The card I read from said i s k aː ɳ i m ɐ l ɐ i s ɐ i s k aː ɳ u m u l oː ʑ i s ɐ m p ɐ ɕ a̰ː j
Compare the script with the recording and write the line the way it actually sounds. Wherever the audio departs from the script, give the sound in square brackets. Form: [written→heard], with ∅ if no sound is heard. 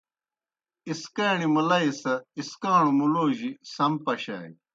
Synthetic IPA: i s k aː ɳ i m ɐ l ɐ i s ɐ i s k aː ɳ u m u l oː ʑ i s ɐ m p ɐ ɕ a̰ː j